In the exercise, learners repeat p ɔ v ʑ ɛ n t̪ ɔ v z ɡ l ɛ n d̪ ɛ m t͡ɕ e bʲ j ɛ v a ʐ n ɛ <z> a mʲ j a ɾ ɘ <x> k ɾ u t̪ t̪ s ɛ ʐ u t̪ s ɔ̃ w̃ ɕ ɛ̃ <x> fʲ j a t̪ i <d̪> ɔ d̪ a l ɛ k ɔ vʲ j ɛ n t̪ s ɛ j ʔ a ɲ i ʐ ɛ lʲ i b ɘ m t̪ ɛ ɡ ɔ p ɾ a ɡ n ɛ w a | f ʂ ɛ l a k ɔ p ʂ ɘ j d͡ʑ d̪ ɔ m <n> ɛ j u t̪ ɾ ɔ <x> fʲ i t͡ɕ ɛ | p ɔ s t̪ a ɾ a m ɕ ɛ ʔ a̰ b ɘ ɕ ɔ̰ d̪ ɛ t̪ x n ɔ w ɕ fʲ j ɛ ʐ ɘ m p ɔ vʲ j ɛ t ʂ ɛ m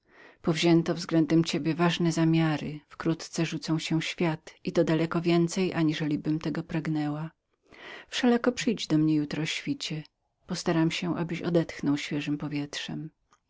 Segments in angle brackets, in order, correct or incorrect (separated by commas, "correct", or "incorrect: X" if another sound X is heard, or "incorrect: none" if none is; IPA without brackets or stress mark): correct, incorrect: f, incorrect: ɕ, incorrect: t̪, incorrect: ɲ, incorrect: ɕ